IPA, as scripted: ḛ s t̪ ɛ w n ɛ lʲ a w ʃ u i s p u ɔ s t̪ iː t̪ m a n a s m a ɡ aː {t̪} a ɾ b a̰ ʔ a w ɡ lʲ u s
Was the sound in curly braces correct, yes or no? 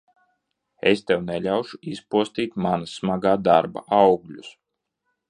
no